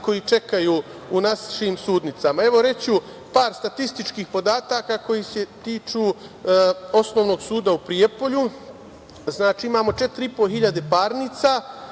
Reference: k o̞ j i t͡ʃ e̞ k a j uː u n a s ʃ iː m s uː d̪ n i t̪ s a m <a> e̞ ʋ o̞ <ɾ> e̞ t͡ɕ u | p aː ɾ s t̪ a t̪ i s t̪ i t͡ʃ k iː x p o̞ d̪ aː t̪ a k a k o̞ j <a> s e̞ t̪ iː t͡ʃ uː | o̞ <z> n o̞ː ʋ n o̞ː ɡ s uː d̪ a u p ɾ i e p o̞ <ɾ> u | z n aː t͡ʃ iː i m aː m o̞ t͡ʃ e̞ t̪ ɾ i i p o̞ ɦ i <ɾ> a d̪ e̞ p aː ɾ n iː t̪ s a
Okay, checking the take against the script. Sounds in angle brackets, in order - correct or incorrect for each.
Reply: correct, correct, incorrect, incorrect, incorrect, incorrect

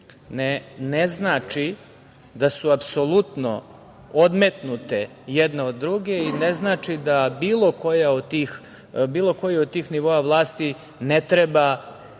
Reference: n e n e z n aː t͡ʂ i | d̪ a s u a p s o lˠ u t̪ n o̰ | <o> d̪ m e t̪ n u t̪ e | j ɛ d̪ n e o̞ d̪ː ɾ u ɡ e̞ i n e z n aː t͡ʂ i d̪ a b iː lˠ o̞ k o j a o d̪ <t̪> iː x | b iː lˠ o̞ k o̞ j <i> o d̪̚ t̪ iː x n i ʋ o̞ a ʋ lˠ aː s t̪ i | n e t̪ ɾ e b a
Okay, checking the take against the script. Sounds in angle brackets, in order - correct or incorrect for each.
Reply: correct, correct, correct

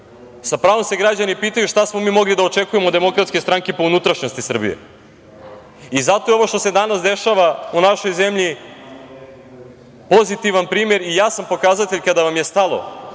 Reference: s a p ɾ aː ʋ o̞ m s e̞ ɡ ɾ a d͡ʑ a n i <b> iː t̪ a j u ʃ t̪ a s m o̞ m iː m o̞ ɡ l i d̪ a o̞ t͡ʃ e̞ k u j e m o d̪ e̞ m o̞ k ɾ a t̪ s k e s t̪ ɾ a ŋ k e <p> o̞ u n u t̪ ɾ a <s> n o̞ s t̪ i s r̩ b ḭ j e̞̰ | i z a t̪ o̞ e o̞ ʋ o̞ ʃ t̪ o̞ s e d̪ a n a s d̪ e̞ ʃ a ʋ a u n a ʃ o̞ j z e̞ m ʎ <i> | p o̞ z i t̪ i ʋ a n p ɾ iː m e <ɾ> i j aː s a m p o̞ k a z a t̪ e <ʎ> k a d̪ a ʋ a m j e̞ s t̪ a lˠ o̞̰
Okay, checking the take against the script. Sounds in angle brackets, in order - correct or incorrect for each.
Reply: incorrect, correct, incorrect, correct, correct, correct

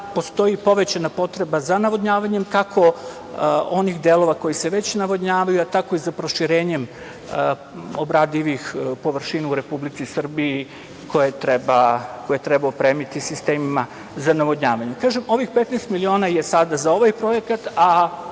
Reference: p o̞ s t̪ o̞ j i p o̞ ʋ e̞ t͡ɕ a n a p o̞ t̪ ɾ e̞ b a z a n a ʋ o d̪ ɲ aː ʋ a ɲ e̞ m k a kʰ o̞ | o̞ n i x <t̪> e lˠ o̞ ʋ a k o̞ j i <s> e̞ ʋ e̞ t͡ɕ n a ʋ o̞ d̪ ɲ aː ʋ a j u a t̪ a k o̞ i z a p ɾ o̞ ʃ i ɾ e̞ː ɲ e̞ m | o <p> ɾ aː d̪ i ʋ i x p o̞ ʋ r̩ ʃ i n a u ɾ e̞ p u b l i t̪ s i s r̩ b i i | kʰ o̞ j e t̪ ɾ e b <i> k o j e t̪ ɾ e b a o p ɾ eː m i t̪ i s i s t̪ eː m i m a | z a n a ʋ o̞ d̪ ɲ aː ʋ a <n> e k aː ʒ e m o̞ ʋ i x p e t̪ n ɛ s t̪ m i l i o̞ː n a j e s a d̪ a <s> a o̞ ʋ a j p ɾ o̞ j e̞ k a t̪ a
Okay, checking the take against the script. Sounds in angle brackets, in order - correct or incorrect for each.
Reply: incorrect, correct, incorrect, incorrect, incorrect, incorrect

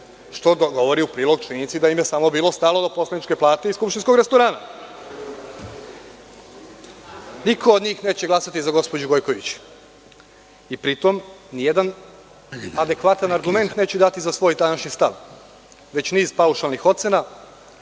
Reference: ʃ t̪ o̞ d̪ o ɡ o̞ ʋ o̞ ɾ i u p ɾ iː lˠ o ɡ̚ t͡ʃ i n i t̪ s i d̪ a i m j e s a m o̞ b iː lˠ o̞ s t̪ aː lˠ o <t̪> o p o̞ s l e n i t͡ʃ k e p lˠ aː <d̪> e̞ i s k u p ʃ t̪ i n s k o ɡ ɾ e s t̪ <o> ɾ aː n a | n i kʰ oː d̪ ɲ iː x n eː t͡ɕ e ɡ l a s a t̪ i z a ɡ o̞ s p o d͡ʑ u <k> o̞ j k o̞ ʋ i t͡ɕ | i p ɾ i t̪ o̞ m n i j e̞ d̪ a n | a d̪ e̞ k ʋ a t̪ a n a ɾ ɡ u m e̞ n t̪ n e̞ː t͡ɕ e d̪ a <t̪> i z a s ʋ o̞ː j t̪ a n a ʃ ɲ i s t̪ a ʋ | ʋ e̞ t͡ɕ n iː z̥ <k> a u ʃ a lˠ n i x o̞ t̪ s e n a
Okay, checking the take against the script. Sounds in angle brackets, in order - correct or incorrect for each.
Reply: incorrect, incorrect, correct, incorrect, correct, incorrect

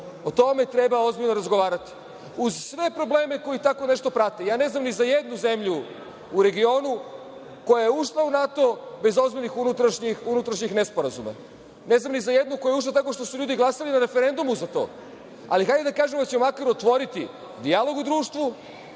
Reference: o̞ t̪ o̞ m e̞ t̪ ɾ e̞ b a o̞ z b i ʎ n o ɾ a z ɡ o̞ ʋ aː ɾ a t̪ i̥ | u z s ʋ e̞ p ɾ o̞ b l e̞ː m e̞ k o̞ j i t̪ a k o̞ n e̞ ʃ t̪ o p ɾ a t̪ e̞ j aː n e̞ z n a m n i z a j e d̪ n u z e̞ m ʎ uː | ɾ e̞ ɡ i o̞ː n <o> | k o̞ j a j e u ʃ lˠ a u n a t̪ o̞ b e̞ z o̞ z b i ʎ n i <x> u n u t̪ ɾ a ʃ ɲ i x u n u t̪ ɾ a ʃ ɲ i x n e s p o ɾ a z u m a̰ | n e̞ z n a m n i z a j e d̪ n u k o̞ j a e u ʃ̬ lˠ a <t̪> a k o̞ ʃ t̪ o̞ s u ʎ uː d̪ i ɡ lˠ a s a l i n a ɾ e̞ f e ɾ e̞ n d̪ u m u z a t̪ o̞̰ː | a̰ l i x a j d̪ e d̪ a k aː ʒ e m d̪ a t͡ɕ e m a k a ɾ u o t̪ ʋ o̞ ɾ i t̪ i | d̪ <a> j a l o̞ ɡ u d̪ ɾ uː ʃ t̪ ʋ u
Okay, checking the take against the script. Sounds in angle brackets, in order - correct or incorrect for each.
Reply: incorrect, correct, correct, incorrect

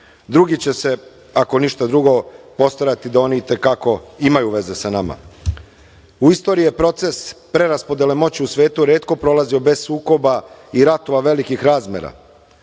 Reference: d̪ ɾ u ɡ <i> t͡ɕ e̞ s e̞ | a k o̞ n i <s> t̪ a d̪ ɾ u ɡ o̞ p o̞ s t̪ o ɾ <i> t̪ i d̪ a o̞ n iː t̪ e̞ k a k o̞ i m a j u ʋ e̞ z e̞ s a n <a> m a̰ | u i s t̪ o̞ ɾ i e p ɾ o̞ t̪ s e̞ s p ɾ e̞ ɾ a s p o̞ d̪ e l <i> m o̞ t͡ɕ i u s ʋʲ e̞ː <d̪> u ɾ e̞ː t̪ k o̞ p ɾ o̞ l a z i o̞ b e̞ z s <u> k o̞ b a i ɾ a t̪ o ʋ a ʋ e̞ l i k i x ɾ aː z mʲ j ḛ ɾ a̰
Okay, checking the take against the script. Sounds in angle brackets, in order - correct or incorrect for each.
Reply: correct, incorrect, incorrect, correct, incorrect, incorrect, incorrect

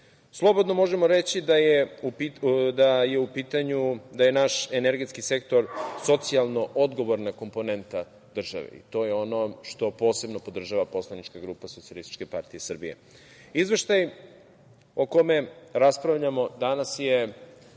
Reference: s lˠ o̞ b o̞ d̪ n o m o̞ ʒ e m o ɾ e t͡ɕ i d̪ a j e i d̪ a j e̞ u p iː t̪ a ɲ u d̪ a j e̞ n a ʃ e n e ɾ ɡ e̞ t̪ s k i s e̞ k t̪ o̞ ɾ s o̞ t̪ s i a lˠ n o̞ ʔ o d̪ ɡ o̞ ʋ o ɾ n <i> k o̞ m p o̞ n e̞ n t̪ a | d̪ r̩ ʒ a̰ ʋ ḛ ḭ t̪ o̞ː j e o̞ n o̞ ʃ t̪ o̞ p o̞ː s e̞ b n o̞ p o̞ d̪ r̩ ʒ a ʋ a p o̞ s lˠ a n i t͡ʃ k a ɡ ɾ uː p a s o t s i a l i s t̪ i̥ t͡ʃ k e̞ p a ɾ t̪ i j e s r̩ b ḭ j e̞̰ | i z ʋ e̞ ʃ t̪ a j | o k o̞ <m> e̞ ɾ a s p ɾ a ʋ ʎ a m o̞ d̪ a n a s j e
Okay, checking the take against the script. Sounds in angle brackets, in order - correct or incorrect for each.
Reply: incorrect, correct

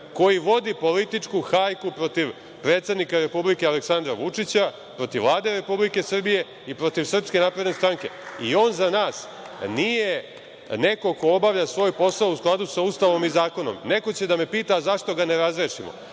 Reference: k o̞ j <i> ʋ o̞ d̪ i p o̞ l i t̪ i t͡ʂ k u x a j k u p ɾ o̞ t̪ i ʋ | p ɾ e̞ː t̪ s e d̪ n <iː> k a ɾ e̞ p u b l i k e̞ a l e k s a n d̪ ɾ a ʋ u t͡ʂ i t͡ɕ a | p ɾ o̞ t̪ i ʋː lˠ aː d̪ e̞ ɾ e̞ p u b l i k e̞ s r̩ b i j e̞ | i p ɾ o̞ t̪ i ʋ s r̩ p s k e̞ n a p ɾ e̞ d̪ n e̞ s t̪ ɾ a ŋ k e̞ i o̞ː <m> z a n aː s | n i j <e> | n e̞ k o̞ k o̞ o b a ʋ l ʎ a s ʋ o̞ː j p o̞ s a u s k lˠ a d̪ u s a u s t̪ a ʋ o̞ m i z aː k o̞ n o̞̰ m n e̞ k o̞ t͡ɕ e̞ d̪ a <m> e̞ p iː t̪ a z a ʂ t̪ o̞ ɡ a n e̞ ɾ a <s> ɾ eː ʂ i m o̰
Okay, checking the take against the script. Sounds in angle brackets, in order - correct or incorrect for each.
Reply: correct, incorrect, incorrect, correct, correct, incorrect

